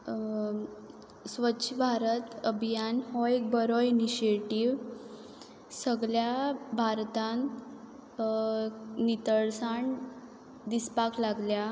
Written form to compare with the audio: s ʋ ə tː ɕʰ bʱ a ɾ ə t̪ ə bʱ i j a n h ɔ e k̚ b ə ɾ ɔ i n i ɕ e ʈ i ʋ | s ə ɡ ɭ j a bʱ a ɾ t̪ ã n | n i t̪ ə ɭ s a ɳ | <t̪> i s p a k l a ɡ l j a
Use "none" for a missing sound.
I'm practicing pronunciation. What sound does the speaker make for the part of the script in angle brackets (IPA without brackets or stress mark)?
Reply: d̪